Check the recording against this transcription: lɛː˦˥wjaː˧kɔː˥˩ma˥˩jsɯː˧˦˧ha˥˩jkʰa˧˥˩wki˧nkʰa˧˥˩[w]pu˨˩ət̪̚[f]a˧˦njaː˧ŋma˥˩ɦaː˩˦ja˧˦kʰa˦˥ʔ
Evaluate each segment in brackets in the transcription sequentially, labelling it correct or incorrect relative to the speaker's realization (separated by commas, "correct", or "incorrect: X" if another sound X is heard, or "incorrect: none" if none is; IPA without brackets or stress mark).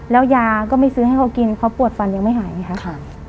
correct, correct